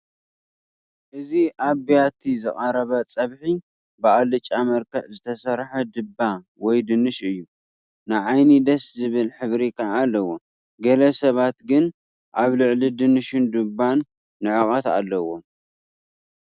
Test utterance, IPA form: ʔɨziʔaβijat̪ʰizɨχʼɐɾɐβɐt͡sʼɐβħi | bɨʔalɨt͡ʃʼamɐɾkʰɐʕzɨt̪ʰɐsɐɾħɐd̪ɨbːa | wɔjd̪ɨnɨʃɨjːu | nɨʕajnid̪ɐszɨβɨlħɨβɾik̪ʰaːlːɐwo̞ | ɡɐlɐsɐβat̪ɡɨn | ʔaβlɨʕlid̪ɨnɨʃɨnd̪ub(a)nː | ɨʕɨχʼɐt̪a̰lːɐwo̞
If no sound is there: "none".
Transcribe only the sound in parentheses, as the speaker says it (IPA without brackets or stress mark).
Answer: a